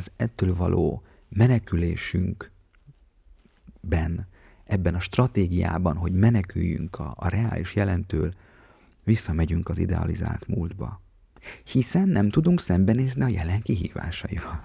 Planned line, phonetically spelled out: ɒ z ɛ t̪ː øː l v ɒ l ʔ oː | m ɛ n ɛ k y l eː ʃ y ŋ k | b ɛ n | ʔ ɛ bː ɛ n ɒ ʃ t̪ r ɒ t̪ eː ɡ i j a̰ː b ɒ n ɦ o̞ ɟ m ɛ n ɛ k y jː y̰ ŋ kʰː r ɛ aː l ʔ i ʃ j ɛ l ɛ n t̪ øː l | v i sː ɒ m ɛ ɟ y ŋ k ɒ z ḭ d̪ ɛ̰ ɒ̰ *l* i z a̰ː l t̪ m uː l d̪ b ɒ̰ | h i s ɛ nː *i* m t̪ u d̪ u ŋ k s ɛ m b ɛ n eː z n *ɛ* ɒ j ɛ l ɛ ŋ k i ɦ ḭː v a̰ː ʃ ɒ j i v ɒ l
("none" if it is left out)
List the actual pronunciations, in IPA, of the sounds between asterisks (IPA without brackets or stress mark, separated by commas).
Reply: l, ɛ, i